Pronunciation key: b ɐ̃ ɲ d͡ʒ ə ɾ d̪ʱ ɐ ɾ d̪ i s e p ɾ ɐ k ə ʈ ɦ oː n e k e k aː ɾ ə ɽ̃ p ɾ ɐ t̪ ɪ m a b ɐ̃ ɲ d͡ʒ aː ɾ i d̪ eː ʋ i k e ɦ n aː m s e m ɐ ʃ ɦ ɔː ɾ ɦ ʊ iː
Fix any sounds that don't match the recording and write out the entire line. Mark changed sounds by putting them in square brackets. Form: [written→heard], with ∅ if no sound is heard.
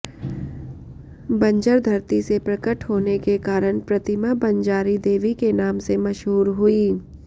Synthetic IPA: b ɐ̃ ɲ d͡ʒ ə ɾ d̪ʱ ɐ ɾ [d̪→t̪] i s e p ɾ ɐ k ə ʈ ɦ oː n e k e k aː ɾ ə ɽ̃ p ɾ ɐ t̪ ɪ m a b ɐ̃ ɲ d͡ʒ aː ɾ i d̪ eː ʋ i k e [ɦ→∅] n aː m s e m ɐ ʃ ɦ [ɔː→uː] ɾ ɦ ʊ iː

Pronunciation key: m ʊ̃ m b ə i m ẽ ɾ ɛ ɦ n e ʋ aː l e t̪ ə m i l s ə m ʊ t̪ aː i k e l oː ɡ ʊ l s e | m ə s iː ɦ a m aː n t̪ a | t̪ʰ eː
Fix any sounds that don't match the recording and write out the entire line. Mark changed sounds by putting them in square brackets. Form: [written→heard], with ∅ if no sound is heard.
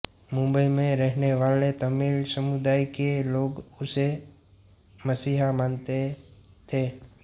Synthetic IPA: m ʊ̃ m b ə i m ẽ ɾ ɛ ɦ n e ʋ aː l e t̪ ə m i l s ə m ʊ [t̪→d̪] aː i k e l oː ɡ ʊ [l→∅] s e | m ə s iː ɦ a m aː n t̪ [a→e] | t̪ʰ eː

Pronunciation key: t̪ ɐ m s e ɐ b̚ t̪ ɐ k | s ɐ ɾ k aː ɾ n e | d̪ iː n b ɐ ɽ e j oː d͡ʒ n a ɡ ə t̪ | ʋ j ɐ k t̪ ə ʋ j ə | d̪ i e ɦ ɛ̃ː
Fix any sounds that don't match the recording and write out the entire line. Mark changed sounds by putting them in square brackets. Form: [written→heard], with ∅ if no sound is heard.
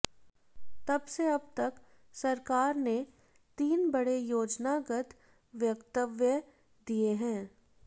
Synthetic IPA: t̪ ɐ [m→b] s e ɐ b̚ t̪ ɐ k | s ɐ ɾ k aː ɾ n e | [d̪→t̪] iː n b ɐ ɽ e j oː d͡ʒ n a ɡ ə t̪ | ʋ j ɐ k t̪ ə ʋ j ə | d̪ i e ɦ ɛ̃ː

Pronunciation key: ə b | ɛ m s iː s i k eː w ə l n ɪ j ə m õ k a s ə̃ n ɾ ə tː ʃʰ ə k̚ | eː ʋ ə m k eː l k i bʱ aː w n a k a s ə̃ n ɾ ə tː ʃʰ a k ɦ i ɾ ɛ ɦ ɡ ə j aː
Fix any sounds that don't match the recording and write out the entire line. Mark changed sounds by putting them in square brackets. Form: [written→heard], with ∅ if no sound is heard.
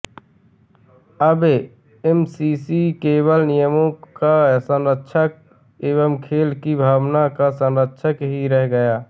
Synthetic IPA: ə b | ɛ m s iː s i k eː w ə l n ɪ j ə m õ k a s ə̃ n ɾ ə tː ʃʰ ə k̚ | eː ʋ ə m [k→kʰ] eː l k i bʱ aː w n a k a s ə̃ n ɾ ə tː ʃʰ [a→ə] k ɦ i ɾ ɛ ɦ ɡ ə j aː

